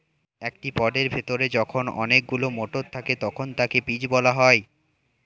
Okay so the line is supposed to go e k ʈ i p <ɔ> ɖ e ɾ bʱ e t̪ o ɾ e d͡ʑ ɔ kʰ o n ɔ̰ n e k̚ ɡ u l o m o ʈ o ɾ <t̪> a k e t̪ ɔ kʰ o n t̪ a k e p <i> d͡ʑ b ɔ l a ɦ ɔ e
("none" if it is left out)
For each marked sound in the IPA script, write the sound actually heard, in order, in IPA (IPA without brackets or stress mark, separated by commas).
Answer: ɔ, t̪ʰ, i